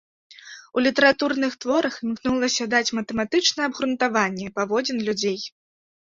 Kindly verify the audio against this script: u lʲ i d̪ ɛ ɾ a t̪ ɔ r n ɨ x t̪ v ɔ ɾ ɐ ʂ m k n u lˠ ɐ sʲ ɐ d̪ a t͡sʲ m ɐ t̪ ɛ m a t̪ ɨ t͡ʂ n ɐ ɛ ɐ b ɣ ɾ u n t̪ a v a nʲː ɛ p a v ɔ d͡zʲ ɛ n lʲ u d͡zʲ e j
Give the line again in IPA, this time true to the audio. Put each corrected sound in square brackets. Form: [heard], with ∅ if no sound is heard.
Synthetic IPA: u lʲ i [t̪] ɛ ɾ a t̪ [u] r n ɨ x t̪ v ɔ ɾ ɐ [x] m k n u lˠ ɐ sʲ ɐ d̪ a t͡sʲ m ɐ t̪ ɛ m a t̪ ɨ t͡ʂ n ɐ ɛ ɐ b ɣ ɾ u n t̪ a v a nʲː ɛ p a v ɔ d͡zʲ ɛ n lʲ u d͡zʲ e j